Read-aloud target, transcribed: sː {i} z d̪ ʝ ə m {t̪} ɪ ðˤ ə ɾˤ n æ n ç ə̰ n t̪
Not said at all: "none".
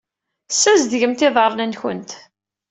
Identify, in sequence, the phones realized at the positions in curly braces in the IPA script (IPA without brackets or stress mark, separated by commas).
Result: æ, t̪